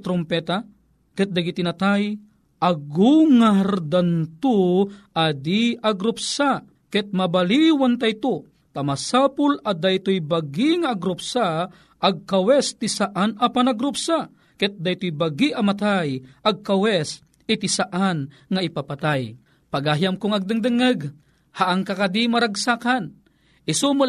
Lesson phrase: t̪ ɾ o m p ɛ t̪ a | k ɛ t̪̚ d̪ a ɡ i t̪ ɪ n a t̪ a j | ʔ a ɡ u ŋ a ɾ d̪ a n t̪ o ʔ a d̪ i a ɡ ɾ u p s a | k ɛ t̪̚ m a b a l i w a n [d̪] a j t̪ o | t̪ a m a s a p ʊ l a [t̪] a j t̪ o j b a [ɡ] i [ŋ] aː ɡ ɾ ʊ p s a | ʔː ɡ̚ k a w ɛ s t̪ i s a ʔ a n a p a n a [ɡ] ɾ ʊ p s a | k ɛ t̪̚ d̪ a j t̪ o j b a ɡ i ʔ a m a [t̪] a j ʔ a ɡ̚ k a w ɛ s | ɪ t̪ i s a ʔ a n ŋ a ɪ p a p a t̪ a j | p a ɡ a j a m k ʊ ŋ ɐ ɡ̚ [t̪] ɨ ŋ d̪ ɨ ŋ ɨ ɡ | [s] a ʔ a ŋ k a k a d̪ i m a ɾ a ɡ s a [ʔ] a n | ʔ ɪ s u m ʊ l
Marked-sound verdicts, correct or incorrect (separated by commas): incorrect, incorrect, correct, correct, correct, correct, incorrect, incorrect, incorrect